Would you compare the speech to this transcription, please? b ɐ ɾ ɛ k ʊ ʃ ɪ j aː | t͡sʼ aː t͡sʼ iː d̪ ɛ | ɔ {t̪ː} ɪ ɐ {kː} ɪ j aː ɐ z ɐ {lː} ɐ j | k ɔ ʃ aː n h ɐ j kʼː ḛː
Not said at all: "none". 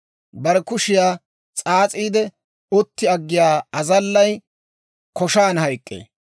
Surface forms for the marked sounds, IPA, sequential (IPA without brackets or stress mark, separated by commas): t̪ː, ɡː, lː